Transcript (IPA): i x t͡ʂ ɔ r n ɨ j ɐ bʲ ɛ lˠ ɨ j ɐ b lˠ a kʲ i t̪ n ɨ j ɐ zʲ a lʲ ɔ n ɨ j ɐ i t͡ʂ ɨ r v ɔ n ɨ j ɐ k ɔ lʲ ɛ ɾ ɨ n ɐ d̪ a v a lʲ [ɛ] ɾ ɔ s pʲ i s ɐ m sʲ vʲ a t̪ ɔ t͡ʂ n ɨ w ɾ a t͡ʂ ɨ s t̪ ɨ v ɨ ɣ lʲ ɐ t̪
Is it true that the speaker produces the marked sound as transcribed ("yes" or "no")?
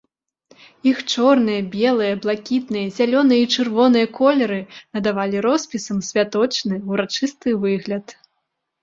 no